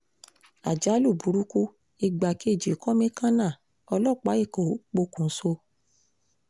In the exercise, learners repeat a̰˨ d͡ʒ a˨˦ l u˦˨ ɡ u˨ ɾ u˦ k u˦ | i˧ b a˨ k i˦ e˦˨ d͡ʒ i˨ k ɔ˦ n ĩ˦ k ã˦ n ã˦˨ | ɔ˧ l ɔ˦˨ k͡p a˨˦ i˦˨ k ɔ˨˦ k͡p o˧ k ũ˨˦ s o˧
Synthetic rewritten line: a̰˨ d͡ʒ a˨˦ l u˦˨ b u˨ ɾ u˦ k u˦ | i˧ ɡ͡b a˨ k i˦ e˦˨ d͡ʒ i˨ k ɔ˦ m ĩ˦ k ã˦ n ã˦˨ | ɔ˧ l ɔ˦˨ k͡p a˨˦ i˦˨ k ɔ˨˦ k͡p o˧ k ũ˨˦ s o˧